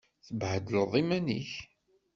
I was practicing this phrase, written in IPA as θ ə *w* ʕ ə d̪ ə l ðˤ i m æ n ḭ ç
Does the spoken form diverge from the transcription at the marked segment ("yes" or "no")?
yes